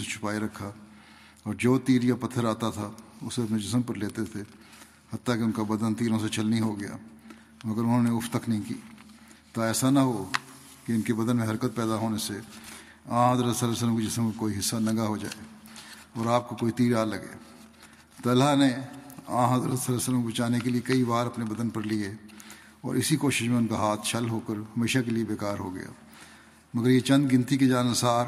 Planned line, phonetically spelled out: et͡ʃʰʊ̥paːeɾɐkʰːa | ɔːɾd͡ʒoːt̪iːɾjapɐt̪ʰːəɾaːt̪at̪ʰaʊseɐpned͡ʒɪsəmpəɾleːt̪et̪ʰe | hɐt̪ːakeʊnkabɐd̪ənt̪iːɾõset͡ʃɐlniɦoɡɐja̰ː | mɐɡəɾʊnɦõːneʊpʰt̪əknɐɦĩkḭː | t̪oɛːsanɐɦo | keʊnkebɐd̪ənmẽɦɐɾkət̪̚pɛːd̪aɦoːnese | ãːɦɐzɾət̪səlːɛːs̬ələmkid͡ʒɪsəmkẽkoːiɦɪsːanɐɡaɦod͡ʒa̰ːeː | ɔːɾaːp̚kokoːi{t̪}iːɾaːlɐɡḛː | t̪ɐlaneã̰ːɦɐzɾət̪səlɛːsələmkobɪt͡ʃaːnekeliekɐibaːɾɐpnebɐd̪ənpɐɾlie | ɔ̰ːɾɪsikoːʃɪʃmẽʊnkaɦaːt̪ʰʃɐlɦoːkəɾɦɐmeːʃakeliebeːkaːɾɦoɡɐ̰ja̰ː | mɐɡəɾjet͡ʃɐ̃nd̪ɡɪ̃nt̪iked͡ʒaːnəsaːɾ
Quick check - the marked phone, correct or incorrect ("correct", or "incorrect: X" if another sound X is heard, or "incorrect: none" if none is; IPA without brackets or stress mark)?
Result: correct